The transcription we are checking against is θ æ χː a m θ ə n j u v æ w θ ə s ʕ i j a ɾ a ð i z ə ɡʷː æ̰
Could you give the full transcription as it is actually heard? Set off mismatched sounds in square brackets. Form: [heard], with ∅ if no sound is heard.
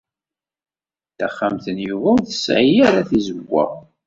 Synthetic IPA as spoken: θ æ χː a m θ ə n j u v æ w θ ə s ʕ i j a ɾ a [θ] i z ə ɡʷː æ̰